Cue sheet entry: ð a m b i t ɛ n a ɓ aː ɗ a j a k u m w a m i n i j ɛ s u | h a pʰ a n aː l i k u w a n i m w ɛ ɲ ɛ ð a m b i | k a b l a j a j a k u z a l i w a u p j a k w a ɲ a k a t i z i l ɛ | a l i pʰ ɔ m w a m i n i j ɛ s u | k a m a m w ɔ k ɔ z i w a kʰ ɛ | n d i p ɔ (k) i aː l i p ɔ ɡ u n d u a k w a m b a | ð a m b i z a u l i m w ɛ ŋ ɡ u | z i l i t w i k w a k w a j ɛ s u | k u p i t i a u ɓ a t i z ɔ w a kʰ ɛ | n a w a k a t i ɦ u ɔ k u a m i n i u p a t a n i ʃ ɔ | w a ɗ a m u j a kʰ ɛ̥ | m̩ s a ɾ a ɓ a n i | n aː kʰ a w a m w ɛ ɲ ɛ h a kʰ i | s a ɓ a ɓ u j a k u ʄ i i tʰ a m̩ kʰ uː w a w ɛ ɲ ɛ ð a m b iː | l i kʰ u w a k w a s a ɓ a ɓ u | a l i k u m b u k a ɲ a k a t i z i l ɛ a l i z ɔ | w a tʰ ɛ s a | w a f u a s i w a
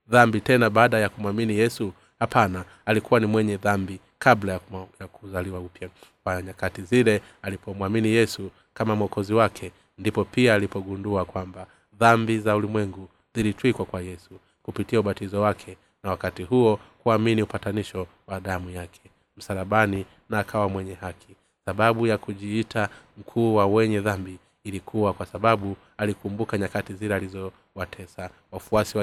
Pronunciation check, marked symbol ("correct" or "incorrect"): incorrect